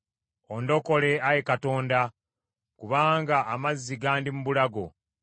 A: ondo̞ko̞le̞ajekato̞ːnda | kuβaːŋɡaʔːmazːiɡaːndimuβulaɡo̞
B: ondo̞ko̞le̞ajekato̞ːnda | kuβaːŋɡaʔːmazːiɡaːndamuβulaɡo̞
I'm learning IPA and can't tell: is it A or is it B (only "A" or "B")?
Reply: A